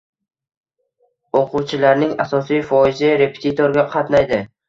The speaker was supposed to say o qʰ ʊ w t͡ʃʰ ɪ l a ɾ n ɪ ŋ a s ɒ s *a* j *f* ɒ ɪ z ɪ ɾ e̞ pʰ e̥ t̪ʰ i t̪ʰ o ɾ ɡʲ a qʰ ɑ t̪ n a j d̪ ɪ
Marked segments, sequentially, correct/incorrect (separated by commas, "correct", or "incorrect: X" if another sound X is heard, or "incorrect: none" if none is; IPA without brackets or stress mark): incorrect: i, correct